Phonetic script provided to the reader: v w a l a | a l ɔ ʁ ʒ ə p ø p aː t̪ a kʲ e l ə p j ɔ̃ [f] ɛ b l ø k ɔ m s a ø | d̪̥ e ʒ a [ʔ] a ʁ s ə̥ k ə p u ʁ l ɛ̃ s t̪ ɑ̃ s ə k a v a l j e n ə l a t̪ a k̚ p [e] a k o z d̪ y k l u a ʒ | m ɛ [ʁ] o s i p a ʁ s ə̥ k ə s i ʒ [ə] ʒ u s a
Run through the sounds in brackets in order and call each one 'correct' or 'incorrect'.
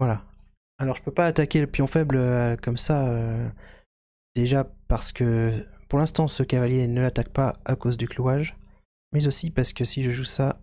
correct, incorrect: p, incorrect: a, incorrect: z, correct

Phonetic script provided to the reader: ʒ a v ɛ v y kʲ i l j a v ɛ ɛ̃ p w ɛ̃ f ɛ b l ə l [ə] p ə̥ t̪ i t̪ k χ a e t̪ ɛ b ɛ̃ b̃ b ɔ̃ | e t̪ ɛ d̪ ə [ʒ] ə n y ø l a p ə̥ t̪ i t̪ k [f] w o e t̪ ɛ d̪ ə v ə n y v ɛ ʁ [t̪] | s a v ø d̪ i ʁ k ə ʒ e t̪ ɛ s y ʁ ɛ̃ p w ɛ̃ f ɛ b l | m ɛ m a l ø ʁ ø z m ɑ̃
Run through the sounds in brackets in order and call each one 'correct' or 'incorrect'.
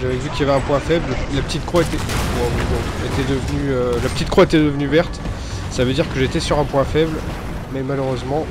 incorrect: a, incorrect: v, incorrect: χ, correct

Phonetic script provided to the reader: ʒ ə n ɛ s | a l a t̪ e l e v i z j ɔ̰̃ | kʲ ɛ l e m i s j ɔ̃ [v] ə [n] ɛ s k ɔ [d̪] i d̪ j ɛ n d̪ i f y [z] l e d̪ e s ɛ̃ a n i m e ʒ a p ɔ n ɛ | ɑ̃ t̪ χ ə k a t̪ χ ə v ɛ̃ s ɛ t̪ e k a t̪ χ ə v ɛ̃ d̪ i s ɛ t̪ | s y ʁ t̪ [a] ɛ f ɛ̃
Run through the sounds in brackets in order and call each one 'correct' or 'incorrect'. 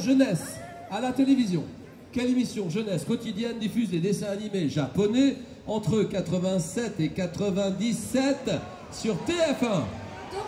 incorrect: ʒ, correct, incorrect: t̪, correct, incorrect: e

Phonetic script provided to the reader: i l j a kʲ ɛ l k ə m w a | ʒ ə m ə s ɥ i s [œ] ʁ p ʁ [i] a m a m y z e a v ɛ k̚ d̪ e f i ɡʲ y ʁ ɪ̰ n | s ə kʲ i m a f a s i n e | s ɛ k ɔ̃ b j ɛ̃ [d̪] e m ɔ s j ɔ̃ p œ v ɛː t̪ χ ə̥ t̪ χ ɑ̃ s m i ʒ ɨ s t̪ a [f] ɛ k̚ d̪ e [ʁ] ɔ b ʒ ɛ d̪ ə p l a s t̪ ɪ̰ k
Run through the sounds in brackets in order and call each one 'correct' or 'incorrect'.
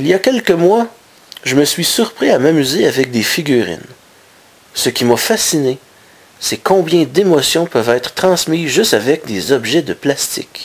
incorrect: y, correct, correct, incorrect: v, incorrect: z

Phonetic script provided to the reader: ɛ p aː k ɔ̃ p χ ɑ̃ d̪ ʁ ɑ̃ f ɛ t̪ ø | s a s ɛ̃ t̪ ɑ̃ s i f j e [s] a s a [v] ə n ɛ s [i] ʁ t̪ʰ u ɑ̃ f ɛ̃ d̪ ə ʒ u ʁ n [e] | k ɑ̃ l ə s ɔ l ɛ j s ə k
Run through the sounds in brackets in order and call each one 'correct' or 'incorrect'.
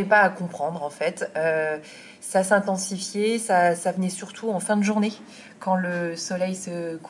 correct, correct, incorrect: y, correct

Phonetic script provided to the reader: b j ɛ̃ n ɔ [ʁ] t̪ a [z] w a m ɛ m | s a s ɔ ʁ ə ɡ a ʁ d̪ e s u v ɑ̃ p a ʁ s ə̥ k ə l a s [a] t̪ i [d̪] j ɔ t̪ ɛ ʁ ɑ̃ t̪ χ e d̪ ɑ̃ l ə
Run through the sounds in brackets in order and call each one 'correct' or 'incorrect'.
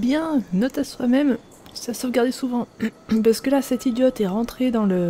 incorrect: none, incorrect: s, incorrect: ɛ, correct

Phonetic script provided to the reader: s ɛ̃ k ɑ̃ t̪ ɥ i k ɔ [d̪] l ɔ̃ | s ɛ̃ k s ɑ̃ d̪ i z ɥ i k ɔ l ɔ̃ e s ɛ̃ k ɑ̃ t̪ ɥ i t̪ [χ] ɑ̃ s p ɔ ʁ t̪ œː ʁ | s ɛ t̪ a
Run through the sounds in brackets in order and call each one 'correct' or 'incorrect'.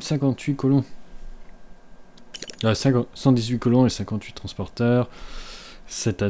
incorrect: none, correct

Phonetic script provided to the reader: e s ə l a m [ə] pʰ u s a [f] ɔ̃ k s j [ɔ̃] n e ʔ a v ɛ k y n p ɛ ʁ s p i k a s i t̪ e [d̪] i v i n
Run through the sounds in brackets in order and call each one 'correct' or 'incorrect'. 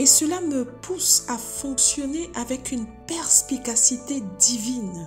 correct, correct, incorrect: ɔ, correct

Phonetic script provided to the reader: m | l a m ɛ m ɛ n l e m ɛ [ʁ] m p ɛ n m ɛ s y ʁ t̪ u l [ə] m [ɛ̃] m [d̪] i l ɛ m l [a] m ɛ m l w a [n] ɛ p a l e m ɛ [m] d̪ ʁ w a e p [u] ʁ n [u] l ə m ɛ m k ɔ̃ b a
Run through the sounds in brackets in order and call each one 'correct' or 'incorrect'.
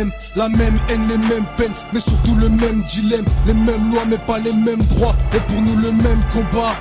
incorrect: none, correct, incorrect: ɛ, correct, incorrect: e, incorrect: m, correct, correct, correct

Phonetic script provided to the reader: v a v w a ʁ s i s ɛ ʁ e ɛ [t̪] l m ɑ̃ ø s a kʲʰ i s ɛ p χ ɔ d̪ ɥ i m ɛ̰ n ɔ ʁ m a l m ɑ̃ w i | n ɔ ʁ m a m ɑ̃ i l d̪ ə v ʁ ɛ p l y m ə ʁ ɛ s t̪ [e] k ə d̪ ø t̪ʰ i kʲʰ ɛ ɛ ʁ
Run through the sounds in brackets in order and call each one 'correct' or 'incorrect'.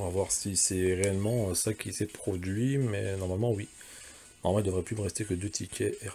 incorrect: none, correct

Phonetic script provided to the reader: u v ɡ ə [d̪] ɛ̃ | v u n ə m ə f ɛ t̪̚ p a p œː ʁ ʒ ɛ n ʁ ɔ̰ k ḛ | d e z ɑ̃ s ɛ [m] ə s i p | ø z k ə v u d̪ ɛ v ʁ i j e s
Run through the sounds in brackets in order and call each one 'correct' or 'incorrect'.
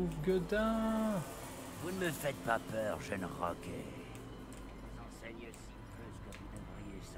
correct, incorrect: ɲ

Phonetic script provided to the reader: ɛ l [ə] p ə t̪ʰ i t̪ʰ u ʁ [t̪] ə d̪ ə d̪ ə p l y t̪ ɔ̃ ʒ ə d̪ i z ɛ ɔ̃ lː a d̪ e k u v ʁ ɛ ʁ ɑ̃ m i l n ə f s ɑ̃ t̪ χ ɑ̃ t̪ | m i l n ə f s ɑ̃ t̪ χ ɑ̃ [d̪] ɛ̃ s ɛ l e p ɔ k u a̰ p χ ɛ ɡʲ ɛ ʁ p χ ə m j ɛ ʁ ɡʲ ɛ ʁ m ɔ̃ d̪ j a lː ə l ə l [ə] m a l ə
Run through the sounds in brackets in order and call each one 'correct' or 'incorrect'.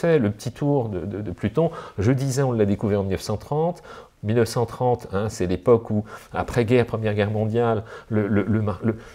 correct, incorrect: d̪, incorrect: t̪, correct

